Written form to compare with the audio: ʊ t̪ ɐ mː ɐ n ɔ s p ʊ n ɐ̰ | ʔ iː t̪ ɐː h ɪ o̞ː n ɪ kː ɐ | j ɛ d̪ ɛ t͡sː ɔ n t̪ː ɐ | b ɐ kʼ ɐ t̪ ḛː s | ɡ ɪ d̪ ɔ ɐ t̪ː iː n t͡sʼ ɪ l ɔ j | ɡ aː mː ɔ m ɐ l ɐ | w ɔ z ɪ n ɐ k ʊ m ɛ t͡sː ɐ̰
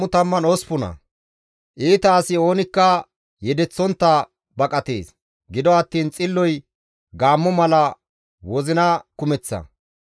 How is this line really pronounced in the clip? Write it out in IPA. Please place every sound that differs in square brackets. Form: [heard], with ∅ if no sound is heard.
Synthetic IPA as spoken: ʊ t̪ ɐ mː ɐ n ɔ s p ʊ n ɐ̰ | ʔ iː t̪ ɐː [s] ɪ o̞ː n ɪ kː ɐ | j ɛ d̪ ɛ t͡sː ɔ n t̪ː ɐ | b ɐ kʼ ɐ t̪ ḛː s | ɡ ɪ d̪ ɔ ɐ t̪ː iː n t͡sʼ ɪ [lː] ɔ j | ɡ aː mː ɔ m ɐ l ɐ | w ɔ z ɪ n ɐ k ʊ m ɛ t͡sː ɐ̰